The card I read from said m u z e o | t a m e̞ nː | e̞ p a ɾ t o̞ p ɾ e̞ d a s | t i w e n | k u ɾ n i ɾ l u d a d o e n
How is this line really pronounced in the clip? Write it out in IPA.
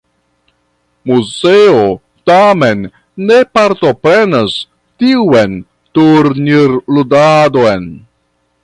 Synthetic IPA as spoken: m u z e o | t a m e̞ nː | e̞ p a ɾ t o̞ p ɾ e̞ n a s | t i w e n | t u ɾ n i ɾ l u d a d o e n

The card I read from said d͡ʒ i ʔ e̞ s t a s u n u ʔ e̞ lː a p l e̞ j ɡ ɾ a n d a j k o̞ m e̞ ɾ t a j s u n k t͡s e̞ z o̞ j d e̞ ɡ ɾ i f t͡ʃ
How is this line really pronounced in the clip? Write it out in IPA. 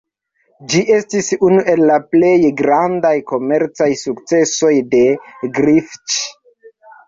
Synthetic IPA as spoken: d͡ʒ i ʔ e̞ s t i s u n u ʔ e̞ lː a p l e̞ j ɡ ɾ a n d a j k o̞ m e̞ ɾ t͡s a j s u k t͡s e̞ s o̞ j d e̞ ɡ ɾ i f t͡ʃ

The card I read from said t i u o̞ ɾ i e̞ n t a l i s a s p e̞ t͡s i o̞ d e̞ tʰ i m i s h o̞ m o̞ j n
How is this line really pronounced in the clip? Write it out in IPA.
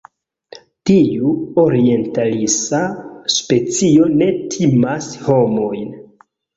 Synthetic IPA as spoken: t i u o̞ ɾ i e̞ n t a l i s a s p e̞ t͡s i o̞ n e̞ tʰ i m a s h o̞ m o̞ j n

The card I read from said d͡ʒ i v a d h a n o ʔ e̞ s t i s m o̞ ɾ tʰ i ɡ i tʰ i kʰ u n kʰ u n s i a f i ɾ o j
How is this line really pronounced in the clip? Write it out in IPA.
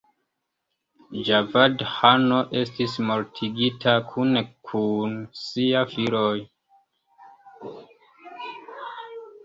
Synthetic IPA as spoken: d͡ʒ a v a d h a n o ʔ e̞ s t i s m o̞ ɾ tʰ i ɡ i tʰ a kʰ u n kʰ u n s i a f i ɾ o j

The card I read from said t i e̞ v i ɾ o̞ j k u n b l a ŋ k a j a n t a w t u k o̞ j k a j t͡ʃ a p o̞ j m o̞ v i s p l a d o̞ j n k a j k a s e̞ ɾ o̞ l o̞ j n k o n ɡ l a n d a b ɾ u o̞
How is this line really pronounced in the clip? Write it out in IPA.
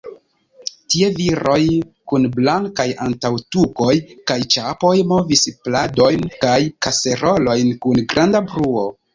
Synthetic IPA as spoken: t i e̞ v i ɾ o̞ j k u n b l a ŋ k a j a n t a w t u k o̞ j k a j t͡ʃ a p o̞ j m o̞ v i s p l a d o̞ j n k a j k a s e̞ ɾ o̞ l o̞ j n k u n ɡ ɾ a n d a b ɾ u o̞

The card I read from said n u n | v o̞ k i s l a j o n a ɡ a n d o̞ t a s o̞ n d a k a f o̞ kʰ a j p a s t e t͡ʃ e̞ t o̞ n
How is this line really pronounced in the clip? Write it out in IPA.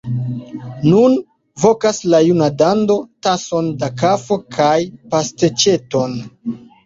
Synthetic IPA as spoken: n u n | v o̞ k a s l a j u n a d a n d o̞ t a s o̞ n d a k a f o̞ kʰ a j p a s t e t͡ʃ e̞ t o̞ n

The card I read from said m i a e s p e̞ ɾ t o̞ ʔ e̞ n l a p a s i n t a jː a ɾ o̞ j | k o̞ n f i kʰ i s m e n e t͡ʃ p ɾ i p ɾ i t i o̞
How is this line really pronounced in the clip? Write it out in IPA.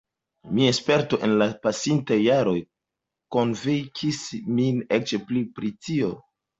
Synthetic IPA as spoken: m i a e s p e̞ ɾ t o̞ ʔ e̞ n l a p a s i n t a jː a ɾ o̞ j | k o̞ n v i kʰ i s m i n e t͡ʃ p l i p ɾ i t i o̞

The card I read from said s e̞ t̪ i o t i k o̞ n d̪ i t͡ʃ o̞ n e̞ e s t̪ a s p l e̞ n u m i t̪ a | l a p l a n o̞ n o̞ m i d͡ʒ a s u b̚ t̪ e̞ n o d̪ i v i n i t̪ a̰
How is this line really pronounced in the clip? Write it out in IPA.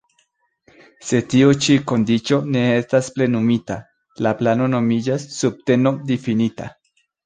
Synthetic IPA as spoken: s e̞ t̪ i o t͡ʃ i k o̞ n d̪ i t͡ʃ o̞ n e̞ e s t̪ a s p l e̞ n u m i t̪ a | l a p l a n o̞ n o̞ m i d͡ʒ a sː u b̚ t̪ e̞ n o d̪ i f i n i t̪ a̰

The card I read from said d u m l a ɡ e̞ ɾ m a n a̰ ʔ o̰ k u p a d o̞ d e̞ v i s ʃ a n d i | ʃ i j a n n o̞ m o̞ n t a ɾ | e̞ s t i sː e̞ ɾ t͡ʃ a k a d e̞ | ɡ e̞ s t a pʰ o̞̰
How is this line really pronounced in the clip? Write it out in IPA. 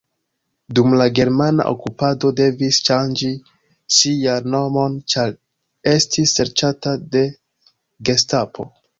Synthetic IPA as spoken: d u m l a ɡ e̞ ɾ m a n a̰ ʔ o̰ k u p a d o̞ d e̞ v i s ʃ a n d͡ʒ i | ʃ i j a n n o̞ m o̞ n t͡ʃ a ɾ | e̞ s t i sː e̞ ɾ t͡ʃ a t a d e̞ | ɡ e̞ s t a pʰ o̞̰

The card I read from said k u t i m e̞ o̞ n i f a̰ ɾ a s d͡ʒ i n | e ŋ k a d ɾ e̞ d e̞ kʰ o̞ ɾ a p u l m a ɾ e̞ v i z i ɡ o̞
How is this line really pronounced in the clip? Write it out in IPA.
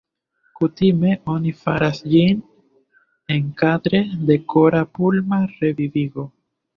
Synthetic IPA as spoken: k u t i m e̞ o̞ n i f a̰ ɾ a s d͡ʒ i n | e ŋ k a d ɾ e̞ d e̞ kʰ o̞ ɾ a p u l m a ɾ e̞ v i v i ɡ o̞

